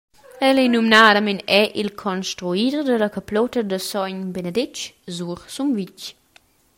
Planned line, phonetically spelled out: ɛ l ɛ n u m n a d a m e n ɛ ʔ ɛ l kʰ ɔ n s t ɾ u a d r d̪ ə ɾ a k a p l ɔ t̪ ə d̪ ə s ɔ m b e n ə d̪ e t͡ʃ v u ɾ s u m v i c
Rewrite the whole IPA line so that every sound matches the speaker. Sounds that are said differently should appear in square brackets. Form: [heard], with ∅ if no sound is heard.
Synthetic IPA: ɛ l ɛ n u m n a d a m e n ɛ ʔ [i] l kʰ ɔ n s t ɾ u [i] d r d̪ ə [l] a k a p l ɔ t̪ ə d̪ ə s ɔ [ɲ] b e n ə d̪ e t͡ʃ [z] u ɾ s u m v i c